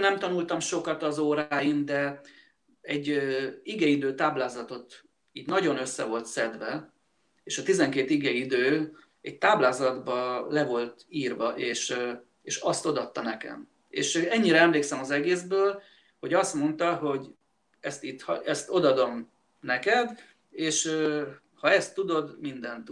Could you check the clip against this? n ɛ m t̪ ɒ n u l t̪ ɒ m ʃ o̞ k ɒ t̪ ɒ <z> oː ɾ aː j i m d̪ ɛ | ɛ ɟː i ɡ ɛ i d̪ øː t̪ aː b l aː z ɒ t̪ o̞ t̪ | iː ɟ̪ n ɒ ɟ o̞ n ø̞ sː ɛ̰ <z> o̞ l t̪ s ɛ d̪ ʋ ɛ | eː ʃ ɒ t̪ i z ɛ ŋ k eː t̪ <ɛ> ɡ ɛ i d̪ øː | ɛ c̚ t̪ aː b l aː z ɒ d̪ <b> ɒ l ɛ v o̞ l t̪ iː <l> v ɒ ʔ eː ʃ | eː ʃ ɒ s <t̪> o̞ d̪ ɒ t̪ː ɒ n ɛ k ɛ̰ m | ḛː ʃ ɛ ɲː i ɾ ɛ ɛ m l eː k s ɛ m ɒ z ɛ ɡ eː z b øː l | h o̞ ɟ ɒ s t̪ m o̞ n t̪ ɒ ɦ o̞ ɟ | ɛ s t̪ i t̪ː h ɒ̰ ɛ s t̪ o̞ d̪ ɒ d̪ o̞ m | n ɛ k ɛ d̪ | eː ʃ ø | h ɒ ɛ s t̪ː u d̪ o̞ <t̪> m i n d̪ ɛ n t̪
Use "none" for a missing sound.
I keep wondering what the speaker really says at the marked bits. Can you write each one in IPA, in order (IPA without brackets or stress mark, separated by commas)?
z, v, i, b, r, t̪, d̪